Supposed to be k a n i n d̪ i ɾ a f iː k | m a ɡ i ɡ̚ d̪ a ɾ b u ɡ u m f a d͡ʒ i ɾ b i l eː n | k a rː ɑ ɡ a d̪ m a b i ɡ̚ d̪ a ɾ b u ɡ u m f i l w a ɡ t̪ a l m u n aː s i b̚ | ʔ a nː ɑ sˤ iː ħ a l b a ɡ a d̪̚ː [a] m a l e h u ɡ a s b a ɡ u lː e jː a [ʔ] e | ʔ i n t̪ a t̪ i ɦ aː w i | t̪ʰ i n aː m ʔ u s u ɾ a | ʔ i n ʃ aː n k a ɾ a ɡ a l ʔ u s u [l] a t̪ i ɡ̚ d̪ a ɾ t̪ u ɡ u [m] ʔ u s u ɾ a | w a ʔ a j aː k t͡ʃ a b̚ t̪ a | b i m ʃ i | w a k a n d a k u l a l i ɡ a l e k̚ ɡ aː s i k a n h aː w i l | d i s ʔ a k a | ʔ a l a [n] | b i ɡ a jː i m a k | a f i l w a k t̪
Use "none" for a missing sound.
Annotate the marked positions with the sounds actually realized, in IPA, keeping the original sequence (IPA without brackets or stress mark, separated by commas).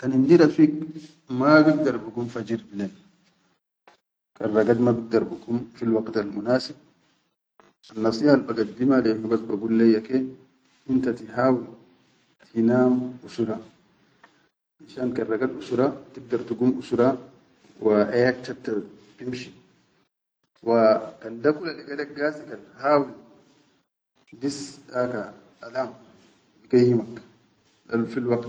i, k, ɾ, m, m